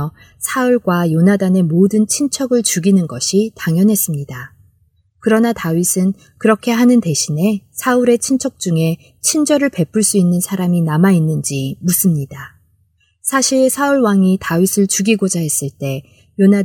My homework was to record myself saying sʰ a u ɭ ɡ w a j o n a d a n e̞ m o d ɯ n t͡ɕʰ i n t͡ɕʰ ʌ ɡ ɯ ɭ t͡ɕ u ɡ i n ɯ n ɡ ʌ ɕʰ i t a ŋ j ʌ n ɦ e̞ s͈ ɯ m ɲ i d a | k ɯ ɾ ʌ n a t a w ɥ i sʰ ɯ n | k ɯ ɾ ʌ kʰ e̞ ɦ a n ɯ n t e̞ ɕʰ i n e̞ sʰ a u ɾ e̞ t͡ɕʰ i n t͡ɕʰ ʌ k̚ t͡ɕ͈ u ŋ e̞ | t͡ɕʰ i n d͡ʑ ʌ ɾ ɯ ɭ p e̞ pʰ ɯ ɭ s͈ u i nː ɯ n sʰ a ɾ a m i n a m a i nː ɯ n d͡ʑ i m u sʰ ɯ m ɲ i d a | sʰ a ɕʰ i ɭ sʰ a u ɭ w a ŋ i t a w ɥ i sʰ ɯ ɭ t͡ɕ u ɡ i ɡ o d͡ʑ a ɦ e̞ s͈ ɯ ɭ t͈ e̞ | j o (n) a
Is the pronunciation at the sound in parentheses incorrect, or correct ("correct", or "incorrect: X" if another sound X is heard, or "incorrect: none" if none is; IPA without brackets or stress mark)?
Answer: correct